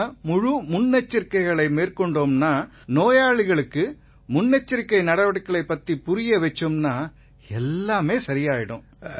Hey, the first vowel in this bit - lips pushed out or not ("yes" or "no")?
yes